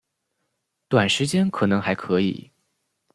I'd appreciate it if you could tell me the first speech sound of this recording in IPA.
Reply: t̪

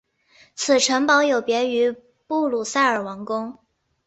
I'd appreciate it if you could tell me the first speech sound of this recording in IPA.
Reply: t͡sʰ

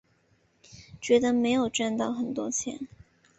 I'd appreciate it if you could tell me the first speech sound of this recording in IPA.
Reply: t͡ɕ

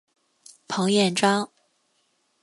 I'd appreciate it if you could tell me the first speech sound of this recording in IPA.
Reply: pʰ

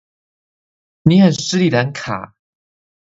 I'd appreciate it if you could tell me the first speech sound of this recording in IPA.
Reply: n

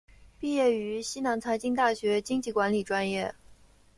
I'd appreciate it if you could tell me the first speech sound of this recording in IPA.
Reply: p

